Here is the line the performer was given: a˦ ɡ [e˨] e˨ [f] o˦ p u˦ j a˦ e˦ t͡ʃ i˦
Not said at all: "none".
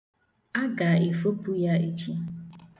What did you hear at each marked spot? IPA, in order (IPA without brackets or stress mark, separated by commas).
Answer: a˨, f